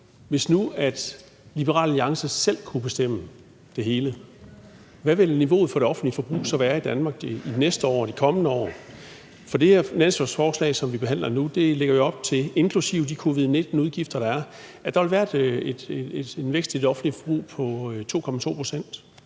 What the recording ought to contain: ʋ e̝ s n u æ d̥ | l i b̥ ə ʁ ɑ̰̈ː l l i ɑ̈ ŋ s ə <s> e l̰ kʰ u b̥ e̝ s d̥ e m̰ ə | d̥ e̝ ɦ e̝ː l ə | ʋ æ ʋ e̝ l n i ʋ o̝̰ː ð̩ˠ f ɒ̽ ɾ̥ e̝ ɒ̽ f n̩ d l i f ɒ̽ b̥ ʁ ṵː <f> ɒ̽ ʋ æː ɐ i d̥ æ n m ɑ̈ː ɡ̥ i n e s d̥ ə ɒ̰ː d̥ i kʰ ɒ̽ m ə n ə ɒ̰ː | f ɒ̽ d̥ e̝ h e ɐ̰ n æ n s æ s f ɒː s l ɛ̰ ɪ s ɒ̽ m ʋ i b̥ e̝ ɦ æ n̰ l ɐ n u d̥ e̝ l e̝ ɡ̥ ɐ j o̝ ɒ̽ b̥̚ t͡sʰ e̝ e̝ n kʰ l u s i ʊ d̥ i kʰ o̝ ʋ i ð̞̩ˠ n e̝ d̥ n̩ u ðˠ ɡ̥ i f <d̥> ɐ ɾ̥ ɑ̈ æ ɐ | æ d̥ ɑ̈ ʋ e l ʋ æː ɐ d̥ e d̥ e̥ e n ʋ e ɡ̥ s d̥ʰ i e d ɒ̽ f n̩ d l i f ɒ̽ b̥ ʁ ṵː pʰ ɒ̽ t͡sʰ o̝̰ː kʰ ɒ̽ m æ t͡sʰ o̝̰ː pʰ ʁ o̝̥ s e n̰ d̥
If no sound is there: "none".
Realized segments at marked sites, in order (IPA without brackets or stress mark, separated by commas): s, s, d̥